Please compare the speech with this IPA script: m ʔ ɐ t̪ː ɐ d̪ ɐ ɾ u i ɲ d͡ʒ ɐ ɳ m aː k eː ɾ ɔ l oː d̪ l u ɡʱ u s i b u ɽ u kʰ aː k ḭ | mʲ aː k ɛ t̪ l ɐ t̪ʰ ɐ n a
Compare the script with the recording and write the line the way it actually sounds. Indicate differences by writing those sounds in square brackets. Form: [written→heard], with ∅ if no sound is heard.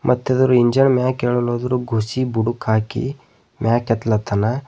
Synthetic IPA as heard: m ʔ ɐ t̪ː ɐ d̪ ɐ ɾ u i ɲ d͡ʒ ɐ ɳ m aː k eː [ɾ→ɭ] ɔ l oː d̪ [l→ɾ] u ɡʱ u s i b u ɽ u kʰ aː k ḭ | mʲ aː k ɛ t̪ l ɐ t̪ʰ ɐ n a